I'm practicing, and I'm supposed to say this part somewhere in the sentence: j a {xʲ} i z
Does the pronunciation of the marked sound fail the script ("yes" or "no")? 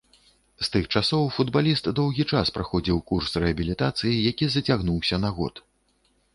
yes